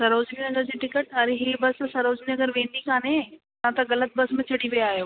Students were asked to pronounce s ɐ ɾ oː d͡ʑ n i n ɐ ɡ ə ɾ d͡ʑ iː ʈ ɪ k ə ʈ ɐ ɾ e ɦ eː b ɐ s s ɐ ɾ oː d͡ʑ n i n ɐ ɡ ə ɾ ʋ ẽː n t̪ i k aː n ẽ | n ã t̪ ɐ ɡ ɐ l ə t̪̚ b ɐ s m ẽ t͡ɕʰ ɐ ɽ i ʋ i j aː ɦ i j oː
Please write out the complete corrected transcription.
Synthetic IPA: s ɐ ɾ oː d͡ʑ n i n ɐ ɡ ə ɾ d͡ʑ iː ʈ ɪ k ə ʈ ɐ ɾ e ɦ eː b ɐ s s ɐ ɾ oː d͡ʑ n i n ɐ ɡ ə ɾ ʋ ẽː n d̪ i k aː n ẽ | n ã t̪ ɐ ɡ ɐ l ə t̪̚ b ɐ s m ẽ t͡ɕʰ ɐ ɽ i ʋ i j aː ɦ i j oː